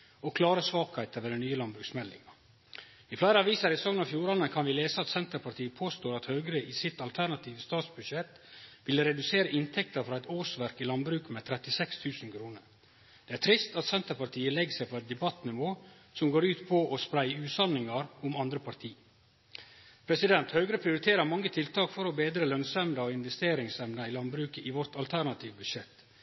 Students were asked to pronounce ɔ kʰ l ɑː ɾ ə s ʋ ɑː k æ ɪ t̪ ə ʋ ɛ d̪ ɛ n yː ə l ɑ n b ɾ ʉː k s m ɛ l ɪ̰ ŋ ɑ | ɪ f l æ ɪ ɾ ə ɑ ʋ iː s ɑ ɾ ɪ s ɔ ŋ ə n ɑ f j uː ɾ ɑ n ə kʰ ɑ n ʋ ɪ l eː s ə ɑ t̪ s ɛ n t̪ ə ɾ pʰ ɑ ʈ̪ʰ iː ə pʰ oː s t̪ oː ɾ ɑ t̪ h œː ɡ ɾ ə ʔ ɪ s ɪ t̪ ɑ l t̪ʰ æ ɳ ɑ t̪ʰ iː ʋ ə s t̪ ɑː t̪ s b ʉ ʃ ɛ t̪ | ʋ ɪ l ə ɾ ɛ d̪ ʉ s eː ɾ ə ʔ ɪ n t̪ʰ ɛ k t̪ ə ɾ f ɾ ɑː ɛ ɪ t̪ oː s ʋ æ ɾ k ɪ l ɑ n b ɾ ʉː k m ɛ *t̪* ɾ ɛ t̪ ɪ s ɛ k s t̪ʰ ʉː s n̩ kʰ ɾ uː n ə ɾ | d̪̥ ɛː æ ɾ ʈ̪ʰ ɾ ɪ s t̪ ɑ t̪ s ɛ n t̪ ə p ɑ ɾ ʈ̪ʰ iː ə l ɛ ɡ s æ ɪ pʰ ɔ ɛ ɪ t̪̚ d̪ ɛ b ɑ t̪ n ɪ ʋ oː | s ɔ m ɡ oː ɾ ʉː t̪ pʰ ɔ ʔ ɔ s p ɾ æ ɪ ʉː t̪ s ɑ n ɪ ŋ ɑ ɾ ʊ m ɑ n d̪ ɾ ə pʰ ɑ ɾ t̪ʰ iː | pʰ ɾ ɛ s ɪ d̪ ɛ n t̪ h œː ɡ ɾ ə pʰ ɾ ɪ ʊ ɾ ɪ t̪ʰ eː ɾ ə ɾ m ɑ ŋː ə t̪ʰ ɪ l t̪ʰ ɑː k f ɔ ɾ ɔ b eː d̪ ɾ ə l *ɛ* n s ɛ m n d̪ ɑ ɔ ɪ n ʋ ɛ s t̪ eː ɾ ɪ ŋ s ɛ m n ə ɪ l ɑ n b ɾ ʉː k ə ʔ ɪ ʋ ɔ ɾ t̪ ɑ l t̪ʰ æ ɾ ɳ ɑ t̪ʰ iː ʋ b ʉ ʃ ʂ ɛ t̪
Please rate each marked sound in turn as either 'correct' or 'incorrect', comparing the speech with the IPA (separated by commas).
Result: incorrect, incorrect